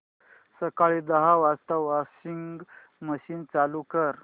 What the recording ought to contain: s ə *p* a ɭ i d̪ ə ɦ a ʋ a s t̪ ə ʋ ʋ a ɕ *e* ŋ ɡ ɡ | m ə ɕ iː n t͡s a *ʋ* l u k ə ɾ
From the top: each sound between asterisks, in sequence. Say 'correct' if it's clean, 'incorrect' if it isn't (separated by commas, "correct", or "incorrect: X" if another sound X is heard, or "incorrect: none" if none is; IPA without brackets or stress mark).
incorrect: k, incorrect: i, incorrect: none